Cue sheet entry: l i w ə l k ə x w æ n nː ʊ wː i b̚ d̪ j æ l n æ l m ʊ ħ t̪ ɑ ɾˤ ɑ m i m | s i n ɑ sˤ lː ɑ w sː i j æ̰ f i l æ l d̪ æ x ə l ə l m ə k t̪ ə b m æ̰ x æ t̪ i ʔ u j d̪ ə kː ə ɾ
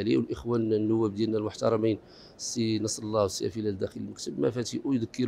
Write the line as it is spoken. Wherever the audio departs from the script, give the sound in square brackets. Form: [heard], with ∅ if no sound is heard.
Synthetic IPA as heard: l i w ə l [ʔ] ə x w æ n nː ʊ wː [æ] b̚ d̪ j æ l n æ l m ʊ ħ t̪ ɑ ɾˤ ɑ m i [n] | s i n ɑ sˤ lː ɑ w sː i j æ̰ f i l æ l d̪ æ x ə l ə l m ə k t̪ ə b m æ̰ [f] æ t̪ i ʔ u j d̪ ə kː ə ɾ